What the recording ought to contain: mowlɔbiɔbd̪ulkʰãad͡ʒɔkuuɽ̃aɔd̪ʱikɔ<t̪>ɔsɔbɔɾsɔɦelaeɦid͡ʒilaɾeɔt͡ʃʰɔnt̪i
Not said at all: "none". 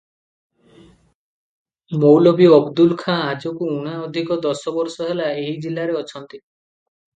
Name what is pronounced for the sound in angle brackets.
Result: d̪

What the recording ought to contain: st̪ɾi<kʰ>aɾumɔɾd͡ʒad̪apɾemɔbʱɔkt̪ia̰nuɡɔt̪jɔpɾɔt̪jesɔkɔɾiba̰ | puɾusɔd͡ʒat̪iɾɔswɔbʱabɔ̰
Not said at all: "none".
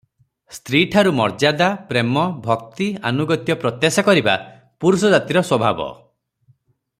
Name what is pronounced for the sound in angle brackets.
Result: ʈʰ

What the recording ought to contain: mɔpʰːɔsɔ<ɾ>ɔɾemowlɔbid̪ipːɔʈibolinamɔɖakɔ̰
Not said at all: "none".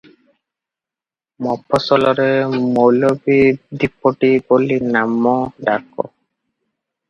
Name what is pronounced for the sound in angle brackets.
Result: l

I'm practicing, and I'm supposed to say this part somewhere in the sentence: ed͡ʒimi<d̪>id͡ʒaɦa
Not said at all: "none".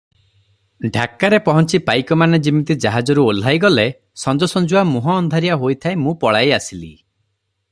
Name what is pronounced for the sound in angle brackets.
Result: t̪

